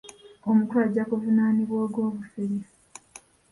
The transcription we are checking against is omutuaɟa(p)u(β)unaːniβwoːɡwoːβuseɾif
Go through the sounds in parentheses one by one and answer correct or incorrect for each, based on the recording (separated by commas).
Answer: incorrect, incorrect